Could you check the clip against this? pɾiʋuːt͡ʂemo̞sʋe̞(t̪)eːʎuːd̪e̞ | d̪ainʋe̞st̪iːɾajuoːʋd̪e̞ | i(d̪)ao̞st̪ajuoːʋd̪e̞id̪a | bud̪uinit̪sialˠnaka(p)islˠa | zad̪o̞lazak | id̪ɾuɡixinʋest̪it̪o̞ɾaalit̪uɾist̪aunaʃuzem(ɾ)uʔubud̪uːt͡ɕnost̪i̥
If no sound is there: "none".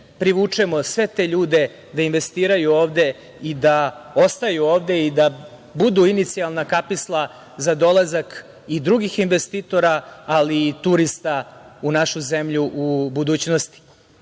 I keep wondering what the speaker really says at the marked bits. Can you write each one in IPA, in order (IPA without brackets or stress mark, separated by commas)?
t̪, d̪, p, ʎ